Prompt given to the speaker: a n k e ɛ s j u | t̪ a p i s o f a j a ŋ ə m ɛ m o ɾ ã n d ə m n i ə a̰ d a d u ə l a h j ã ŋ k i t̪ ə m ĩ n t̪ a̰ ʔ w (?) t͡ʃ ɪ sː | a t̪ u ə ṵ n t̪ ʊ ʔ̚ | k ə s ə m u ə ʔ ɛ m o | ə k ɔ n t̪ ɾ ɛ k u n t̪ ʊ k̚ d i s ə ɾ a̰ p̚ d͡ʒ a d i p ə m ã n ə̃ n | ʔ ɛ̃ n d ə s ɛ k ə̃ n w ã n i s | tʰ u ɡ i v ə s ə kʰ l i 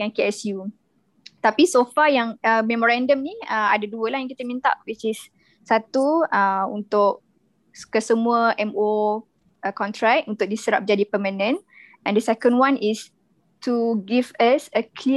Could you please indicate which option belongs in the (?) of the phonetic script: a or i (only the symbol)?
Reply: i